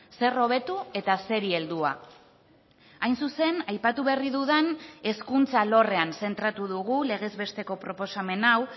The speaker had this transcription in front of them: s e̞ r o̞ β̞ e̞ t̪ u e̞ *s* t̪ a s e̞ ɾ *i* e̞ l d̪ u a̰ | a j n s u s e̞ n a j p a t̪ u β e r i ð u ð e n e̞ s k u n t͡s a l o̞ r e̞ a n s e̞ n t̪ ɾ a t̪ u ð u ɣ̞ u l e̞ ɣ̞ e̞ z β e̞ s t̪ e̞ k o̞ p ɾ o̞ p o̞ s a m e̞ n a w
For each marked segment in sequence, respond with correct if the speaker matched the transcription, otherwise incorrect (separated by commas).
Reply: incorrect, correct